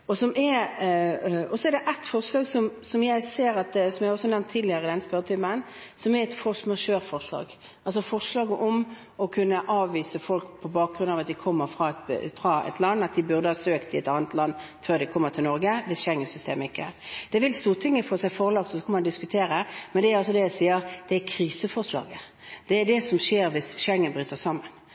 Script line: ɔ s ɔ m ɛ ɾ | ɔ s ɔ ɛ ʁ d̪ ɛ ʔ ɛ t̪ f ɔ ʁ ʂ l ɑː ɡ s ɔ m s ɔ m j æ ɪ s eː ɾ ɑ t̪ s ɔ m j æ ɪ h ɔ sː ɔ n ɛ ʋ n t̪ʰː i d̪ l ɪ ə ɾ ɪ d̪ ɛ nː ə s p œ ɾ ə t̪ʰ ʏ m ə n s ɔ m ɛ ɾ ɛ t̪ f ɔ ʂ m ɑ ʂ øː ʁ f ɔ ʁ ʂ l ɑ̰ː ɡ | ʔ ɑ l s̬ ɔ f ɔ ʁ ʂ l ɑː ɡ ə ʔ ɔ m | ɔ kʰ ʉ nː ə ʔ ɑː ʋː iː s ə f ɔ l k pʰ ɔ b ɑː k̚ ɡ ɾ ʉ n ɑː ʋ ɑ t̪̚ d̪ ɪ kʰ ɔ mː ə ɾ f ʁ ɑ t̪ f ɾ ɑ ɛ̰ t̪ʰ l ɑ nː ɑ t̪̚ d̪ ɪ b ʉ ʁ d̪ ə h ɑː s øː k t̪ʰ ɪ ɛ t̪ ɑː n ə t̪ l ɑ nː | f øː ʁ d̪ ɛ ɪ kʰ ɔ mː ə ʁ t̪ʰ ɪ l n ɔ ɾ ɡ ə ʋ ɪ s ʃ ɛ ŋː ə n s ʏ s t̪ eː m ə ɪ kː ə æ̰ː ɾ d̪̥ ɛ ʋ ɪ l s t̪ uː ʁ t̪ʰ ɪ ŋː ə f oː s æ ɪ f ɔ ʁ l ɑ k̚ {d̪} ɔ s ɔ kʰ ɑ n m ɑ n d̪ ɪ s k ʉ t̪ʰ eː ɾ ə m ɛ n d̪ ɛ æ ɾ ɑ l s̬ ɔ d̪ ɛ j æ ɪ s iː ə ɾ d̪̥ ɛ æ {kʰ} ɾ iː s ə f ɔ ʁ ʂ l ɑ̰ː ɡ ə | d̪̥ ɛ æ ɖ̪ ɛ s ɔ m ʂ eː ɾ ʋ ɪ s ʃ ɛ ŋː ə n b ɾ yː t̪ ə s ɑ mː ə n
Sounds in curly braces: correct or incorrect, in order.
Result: incorrect, correct

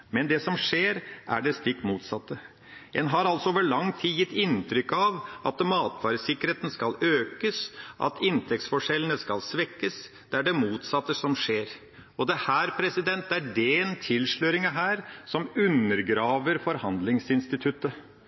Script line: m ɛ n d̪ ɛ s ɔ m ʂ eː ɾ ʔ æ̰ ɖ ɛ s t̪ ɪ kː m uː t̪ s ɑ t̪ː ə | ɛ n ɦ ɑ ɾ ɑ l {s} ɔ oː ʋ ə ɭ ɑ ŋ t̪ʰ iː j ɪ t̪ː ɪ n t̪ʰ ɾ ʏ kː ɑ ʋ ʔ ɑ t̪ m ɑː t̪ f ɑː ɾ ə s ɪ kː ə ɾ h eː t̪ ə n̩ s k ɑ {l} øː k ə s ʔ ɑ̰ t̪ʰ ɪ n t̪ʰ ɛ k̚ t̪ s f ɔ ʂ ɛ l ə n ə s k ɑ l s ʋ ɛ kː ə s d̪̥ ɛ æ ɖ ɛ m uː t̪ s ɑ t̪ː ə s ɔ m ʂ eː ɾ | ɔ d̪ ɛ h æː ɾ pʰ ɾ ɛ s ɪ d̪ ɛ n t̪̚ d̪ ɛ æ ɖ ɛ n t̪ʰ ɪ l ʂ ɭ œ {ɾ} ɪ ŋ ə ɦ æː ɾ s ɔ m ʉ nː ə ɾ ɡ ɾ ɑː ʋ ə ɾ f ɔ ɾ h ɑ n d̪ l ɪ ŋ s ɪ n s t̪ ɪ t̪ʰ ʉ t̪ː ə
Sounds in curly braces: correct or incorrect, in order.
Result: correct, correct, correct

